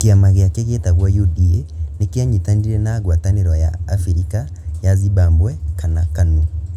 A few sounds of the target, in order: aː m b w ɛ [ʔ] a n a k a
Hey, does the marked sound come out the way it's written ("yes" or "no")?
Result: no